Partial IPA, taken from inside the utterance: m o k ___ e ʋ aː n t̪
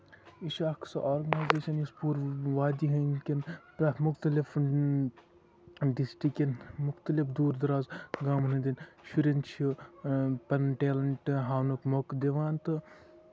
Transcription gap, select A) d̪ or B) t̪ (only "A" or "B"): A